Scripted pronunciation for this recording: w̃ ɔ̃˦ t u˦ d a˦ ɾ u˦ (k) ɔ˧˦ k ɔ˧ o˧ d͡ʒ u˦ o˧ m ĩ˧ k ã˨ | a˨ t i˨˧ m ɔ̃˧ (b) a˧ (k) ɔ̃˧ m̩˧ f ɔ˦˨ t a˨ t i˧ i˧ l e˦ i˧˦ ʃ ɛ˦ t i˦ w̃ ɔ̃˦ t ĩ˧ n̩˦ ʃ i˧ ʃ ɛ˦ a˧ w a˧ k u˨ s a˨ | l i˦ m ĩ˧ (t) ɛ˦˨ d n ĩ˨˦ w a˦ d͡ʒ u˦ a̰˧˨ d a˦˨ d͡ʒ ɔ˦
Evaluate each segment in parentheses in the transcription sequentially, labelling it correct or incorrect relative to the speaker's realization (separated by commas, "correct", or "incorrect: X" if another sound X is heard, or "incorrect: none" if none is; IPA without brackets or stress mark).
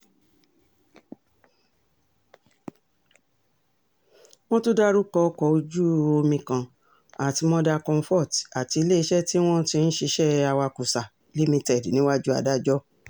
correct, incorrect: d, correct, correct